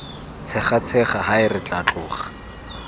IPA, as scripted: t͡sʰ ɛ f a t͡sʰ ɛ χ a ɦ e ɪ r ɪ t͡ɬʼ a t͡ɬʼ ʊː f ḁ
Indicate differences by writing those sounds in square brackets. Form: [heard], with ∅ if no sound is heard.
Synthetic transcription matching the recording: t͡sʰ ɛ [χ] a t͡sʰ ɛ χ a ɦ [a] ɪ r ɪ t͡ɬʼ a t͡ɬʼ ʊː [χ] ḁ